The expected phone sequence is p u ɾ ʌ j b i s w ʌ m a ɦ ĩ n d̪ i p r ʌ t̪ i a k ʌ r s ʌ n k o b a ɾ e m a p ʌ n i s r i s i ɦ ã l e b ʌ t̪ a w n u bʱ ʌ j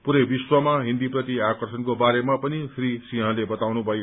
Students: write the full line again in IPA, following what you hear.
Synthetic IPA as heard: p u ɾ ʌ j b i s w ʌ m a ɦ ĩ n d̪ i p r ʌ t̪ i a k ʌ r s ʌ n k o b a ɾ e m a p ʌ n i s r i s i ɦ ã l e b ʌ t̪ a w n u bʱ ʌ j